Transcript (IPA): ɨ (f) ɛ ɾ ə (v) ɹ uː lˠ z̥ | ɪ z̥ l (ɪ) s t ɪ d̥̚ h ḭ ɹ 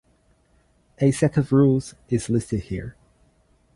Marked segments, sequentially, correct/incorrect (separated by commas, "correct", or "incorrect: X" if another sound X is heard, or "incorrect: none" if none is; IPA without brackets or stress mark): incorrect: s, correct, correct